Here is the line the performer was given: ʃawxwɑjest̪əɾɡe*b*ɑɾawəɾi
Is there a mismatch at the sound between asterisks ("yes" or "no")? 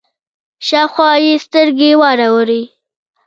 yes